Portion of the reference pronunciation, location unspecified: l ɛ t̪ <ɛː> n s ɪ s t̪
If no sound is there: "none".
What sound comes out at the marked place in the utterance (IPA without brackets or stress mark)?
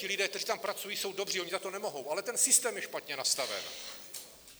ɛ